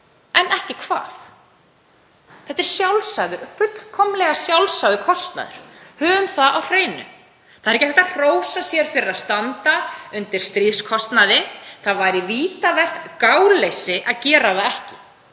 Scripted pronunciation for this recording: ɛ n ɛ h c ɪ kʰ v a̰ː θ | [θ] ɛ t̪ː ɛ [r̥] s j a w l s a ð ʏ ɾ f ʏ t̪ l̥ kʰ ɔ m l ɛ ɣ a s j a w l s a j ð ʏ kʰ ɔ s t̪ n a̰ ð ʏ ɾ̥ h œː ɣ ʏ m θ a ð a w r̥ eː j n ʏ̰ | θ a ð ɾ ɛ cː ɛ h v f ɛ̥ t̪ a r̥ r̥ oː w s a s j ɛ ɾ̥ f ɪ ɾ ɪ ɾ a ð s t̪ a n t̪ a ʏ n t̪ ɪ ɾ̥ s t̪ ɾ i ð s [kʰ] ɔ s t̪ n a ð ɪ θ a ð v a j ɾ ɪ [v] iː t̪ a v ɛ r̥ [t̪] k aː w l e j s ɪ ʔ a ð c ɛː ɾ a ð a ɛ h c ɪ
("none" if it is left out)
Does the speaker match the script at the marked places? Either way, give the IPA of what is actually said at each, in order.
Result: θ, ɾ̥, kʰ, v, t̪

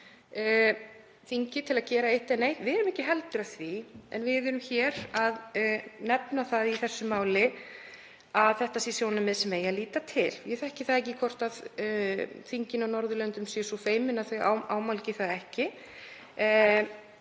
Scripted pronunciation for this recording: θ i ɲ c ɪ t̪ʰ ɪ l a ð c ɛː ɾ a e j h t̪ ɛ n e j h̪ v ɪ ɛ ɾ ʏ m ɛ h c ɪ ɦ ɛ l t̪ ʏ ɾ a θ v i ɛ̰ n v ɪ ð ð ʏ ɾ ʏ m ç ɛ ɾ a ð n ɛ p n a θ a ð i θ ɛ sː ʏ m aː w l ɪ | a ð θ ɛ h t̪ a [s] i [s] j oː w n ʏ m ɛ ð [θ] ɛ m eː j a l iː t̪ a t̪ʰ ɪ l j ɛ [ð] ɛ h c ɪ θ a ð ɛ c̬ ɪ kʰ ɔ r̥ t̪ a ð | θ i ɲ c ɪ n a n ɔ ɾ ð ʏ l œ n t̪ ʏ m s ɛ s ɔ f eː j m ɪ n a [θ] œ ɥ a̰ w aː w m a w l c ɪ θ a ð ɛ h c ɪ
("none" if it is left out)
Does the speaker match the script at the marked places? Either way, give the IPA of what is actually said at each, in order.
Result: s, s, s, θ, θ

